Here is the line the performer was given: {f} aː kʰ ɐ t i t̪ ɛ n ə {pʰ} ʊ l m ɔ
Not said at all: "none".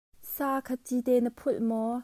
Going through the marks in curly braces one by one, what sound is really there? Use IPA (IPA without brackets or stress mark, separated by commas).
s, pʰ